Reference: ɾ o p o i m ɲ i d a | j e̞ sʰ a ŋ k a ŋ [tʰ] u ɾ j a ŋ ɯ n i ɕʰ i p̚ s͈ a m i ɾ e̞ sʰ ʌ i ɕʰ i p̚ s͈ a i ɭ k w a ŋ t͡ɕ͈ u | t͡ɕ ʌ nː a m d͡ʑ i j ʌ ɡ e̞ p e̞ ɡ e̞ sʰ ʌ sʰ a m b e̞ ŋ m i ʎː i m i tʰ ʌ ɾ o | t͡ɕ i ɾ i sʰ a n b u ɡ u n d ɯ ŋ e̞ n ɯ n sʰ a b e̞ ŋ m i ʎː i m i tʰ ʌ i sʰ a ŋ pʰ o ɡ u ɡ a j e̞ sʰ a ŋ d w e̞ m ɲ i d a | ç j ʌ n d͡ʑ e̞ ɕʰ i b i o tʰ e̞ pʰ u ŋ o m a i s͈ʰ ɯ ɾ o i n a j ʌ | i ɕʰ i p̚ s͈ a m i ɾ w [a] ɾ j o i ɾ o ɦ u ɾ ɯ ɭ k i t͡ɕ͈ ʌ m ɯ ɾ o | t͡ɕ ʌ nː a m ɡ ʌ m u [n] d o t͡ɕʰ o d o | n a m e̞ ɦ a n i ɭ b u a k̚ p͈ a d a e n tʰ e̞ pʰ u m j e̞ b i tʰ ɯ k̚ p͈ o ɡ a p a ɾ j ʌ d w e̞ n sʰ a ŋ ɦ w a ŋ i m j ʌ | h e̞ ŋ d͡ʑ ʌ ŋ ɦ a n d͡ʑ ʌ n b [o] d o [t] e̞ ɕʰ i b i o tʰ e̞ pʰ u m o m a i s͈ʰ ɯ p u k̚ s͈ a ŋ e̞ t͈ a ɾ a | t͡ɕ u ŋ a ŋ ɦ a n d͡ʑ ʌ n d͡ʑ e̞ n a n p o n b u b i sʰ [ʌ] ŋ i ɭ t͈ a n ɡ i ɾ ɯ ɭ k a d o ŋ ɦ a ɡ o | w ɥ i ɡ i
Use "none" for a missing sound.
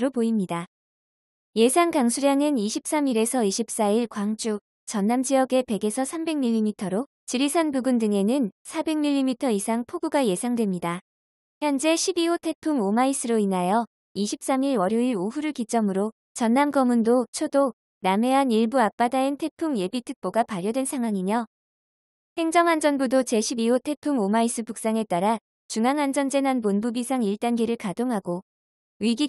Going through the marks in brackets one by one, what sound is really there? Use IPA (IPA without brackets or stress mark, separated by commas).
sʰ, ʌ, n, u, t͡ɕ, a